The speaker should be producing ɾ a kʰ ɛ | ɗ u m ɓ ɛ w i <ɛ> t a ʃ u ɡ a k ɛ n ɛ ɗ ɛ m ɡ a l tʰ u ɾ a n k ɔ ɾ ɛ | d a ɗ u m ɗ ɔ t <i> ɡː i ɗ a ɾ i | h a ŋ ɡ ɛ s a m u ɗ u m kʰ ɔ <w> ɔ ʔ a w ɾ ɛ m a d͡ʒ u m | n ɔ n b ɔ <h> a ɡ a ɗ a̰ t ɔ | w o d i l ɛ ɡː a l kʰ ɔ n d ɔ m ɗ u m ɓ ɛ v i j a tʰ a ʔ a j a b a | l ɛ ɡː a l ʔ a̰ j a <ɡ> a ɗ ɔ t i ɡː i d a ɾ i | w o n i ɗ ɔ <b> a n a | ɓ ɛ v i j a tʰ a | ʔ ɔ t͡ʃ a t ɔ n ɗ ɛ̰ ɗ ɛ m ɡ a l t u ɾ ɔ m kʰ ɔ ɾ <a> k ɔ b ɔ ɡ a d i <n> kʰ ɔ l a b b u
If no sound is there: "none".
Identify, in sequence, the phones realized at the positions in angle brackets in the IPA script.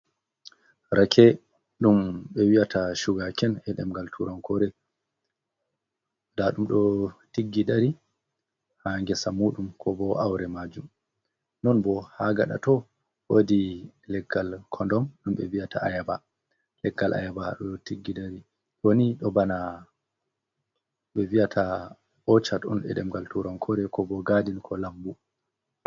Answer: a, i, b, h, b, b, ɛ, n

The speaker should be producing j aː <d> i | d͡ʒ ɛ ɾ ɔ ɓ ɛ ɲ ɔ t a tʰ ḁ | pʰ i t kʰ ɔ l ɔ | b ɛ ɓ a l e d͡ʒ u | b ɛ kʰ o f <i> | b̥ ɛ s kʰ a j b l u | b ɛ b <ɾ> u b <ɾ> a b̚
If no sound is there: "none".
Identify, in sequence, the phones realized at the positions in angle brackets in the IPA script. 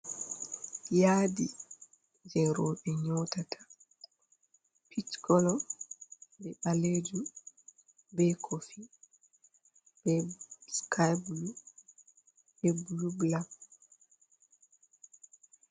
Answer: d, i, l, l

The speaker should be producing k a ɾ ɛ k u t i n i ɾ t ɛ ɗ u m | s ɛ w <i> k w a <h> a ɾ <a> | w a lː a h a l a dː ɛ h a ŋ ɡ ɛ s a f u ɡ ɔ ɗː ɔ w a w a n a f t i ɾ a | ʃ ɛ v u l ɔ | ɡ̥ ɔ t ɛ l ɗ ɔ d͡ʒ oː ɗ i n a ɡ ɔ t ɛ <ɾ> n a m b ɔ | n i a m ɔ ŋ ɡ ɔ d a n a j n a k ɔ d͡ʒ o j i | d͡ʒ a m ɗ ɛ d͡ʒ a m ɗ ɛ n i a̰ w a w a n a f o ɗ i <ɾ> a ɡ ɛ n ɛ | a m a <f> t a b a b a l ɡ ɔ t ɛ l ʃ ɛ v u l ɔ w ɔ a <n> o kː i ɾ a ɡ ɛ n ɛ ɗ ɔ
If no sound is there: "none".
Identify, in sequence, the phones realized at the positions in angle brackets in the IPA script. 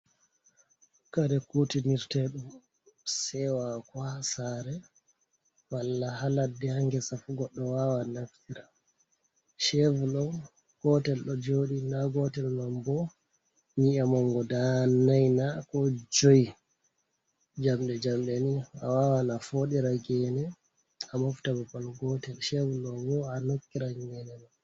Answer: a, s, ɛ, l, ɾ, f, n

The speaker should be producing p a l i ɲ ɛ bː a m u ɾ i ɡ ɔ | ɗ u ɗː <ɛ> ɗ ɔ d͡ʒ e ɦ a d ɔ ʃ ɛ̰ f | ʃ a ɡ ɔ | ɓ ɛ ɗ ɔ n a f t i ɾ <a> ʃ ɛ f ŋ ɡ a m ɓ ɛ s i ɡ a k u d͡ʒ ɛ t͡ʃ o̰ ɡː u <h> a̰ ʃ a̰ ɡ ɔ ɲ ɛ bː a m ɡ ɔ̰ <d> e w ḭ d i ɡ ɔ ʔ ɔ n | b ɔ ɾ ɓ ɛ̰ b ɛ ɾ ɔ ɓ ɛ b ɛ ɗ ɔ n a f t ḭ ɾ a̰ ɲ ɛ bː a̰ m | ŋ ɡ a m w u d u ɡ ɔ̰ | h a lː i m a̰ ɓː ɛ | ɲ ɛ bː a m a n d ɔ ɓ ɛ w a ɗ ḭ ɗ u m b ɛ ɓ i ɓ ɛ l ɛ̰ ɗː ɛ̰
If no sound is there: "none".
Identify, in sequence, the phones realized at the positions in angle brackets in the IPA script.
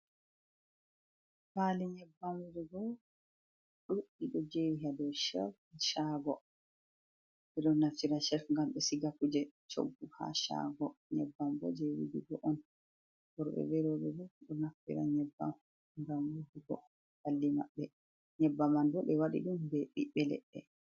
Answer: i, a, h, d͡ʒ

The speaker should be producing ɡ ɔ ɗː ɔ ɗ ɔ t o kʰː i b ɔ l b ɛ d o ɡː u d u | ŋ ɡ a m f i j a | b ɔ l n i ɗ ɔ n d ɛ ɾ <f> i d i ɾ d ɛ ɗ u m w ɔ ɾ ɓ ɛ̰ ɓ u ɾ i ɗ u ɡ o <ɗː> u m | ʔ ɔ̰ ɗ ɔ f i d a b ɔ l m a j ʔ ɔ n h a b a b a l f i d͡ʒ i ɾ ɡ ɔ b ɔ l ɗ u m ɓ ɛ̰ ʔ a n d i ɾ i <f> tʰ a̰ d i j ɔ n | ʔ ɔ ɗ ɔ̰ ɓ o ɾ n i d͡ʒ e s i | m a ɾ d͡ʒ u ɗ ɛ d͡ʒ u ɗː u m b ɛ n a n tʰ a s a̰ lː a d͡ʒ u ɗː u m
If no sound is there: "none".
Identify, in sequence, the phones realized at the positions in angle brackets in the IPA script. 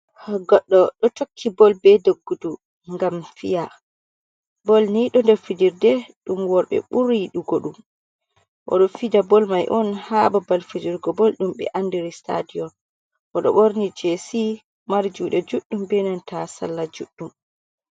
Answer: f, ɗ, s

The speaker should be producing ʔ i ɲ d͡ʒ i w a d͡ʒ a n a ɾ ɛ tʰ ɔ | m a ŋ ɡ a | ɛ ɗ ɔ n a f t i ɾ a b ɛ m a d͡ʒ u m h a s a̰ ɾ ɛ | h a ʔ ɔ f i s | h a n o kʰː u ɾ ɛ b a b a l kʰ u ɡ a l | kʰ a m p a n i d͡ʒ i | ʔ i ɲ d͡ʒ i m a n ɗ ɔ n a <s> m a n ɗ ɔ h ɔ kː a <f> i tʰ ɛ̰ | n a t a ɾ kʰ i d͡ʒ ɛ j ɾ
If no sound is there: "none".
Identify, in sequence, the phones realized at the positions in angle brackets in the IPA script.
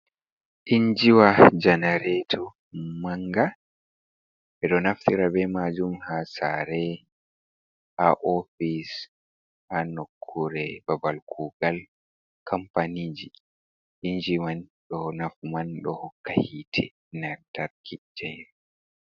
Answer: f, h

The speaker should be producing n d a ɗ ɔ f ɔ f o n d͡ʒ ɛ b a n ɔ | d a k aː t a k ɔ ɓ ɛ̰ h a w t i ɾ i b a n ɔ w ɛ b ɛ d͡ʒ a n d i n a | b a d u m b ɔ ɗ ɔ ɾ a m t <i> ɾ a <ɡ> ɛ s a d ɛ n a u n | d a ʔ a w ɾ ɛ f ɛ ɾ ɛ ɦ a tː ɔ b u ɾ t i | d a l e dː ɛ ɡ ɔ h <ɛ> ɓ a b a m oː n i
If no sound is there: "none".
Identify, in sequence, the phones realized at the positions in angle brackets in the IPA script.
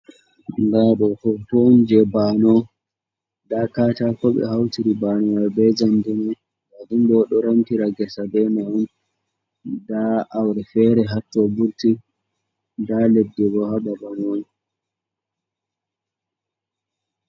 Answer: i, ɡ, a

